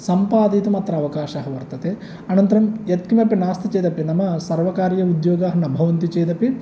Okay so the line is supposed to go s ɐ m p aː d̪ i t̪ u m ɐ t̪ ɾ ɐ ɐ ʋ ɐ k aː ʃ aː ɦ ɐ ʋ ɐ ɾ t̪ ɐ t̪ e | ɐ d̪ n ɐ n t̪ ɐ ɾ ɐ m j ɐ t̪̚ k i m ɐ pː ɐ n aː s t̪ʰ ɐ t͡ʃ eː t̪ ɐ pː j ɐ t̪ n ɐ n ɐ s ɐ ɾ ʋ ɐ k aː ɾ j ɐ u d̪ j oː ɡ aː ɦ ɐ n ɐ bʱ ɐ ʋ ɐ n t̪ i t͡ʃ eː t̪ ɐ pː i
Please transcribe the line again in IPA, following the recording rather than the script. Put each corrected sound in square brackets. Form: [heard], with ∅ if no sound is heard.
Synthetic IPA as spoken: s ɐ m p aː d̪ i t̪ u m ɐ t̪ ɾ ɐ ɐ ʋ ɐ k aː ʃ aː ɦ ɐ ʋ ɐ ɾ t̪ ɐ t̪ e | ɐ [∅] n ɐ n t̪ ɐ ɾ ɐ m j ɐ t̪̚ k i m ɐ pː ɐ n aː s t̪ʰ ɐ t͡ʃ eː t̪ ɐ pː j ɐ [∅] n ɐ [m] ɐ s ɐ ɾ ʋ ɐ k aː ɾ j ɐ u d̪ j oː ɡ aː ɦ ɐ n ɐ bʱ ɐ ʋ ɐ n t̪ i t͡ʃ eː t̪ ɐ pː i